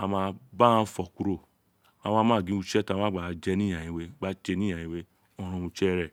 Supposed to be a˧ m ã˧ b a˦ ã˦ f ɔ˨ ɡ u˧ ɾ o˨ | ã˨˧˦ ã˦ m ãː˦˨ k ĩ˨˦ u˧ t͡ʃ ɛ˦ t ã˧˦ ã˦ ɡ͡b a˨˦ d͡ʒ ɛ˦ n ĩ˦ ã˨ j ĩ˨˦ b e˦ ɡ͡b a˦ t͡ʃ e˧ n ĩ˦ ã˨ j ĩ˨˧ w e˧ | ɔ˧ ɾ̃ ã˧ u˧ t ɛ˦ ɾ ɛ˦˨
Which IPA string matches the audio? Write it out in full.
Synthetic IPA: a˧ m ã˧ b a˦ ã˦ f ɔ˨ k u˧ ɾ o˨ | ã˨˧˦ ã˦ m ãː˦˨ ɡ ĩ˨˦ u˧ t͡ʃ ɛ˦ t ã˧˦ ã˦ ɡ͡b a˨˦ d͡ʒ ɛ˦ n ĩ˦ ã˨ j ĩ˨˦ w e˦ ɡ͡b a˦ t͡ʃ e˧ n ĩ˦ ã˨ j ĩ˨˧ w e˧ | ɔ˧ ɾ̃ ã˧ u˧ t͡ʃ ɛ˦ ɾ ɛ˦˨